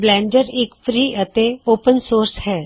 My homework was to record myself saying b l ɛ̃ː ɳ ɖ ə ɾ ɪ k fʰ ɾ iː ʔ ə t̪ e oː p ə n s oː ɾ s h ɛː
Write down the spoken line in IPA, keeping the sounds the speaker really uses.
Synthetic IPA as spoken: b l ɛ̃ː ɳ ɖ ə ɾ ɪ k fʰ ɾ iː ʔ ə t̪ e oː p ə n s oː ɾ s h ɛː